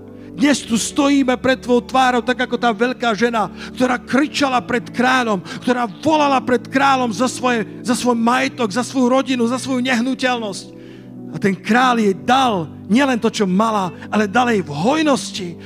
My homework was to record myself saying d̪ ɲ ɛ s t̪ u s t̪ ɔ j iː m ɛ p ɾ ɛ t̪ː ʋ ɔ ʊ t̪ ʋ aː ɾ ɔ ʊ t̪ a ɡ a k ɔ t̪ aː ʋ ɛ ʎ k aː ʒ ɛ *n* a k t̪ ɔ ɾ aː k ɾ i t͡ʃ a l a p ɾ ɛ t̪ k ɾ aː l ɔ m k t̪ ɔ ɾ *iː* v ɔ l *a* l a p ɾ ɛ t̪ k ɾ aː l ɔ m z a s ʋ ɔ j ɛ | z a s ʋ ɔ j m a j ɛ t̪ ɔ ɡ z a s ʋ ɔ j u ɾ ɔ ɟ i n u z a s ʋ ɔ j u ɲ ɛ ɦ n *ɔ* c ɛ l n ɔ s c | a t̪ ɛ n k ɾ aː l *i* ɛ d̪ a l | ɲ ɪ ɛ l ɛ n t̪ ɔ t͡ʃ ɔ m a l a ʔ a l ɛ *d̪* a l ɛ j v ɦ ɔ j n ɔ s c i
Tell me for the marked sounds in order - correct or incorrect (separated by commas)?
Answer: correct, incorrect, correct, incorrect, incorrect, correct